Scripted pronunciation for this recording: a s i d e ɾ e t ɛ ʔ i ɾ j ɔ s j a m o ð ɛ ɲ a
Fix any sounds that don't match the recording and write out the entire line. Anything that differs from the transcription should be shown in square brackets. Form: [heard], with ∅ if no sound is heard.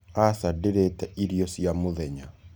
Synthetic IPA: a s [a] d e ɾ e t ɛ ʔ i ɾ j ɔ s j a m o ð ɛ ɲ a